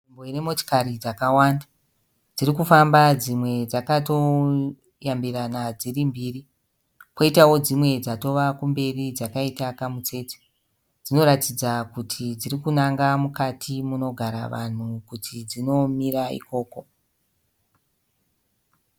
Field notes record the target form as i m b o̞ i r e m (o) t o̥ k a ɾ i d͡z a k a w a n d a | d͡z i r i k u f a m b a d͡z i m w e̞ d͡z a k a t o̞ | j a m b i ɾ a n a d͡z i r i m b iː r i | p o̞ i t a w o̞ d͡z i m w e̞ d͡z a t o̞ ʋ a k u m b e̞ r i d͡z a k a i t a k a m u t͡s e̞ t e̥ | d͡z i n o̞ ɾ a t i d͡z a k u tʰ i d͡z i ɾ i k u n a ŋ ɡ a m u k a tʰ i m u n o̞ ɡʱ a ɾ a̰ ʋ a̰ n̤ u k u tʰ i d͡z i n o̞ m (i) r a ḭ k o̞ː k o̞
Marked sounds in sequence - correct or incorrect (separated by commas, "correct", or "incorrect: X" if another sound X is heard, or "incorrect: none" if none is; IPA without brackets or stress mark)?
correct, correct